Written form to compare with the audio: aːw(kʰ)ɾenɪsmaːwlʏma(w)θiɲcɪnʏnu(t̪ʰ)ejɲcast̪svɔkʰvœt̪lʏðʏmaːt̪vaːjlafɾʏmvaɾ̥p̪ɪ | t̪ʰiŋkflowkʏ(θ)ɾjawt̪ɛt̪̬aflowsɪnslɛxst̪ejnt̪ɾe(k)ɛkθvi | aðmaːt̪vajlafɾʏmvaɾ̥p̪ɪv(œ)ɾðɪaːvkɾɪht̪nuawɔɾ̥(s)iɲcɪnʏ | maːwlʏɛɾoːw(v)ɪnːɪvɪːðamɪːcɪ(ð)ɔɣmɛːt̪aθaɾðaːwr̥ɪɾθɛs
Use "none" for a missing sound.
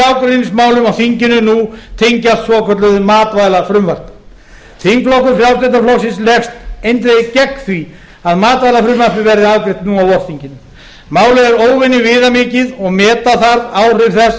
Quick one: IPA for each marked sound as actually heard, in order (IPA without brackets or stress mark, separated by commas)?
k, w, t̪ʰ, f, c, ɛ, θ, v, ð